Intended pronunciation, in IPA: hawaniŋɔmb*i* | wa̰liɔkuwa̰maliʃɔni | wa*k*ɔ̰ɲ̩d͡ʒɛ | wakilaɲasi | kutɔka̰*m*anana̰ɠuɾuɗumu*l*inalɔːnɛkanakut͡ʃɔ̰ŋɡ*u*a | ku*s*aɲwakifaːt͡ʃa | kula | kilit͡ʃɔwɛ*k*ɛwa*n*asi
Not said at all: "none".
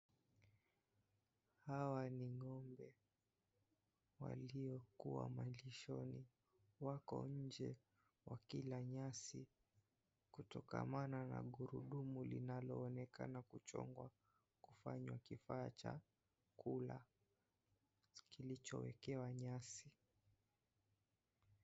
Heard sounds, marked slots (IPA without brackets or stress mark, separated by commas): ɛ, k, m, l, w, f, k, ɲ